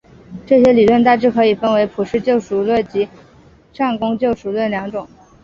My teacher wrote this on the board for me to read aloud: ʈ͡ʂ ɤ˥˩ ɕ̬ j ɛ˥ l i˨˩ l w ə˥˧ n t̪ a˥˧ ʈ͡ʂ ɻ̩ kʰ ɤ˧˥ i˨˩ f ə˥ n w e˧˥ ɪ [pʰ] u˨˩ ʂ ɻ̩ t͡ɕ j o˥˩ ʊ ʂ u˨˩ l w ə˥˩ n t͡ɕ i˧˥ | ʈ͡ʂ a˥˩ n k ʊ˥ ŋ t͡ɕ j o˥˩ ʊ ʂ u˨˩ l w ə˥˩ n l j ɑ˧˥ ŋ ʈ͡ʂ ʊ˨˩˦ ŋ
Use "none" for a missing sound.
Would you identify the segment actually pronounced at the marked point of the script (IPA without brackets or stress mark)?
pʰ